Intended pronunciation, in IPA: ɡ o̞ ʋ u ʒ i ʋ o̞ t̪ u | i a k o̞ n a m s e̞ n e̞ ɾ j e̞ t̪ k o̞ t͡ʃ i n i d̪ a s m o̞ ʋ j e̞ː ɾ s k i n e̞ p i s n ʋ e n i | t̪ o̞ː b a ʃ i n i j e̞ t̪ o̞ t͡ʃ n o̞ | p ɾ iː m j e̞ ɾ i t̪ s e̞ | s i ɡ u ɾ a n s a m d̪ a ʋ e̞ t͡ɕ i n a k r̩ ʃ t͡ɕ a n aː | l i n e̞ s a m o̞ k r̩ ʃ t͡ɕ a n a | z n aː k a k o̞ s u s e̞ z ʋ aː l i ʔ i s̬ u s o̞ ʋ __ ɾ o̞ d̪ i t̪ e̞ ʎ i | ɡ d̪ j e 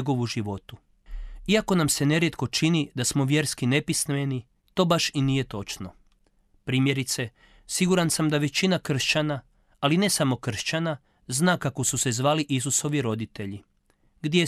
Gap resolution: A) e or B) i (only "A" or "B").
B